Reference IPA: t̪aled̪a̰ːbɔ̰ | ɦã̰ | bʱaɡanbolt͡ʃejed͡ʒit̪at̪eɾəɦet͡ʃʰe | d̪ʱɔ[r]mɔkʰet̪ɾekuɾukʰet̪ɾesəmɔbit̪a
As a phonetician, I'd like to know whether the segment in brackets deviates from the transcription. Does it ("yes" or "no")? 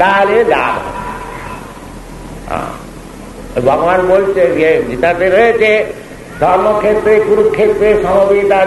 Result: yes